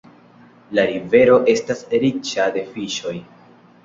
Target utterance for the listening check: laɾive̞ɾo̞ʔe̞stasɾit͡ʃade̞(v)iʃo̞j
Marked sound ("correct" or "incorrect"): incorrect